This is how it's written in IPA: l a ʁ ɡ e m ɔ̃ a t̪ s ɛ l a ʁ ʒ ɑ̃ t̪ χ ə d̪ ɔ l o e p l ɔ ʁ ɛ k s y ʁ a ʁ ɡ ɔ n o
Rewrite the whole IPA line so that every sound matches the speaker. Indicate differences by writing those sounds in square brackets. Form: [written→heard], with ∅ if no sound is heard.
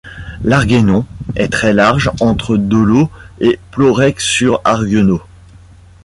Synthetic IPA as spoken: l a ʁ ɡ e [m→n] ɔ̃ [a→ɛ] t̪ [s→χ] ɛ l a ʁ ʒ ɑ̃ t̪ χ ə d̪ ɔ l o e p l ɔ ʁ ɛ k s y ʁ a ʁ ɡ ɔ n o